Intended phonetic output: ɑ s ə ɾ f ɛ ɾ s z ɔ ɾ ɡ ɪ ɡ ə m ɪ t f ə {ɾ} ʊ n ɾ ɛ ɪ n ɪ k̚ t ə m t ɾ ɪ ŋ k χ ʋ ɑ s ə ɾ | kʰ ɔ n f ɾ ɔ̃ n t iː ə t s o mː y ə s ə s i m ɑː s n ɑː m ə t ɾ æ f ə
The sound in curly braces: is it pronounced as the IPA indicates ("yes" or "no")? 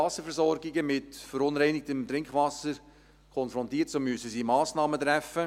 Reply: yes